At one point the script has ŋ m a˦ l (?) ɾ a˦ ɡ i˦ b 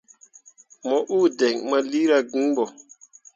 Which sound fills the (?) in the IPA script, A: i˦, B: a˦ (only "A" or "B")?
A